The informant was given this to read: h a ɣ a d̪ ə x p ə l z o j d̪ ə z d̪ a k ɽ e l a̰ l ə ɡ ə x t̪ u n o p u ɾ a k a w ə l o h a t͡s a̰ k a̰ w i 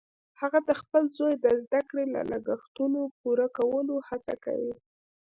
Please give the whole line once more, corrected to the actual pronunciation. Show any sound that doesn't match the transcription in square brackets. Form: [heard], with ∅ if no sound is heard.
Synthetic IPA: h a ɣ a d̪ ə x p ə l z o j d̪ ə z d̪ a k ɽ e l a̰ l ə ɡ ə x t̪ u n o p u ɾ a k a w ə l o h a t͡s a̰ k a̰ w i